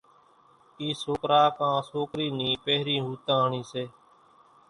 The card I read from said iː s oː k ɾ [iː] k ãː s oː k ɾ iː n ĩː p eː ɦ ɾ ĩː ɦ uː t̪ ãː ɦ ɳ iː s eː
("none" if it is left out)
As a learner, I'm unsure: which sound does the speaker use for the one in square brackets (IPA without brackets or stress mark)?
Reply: aː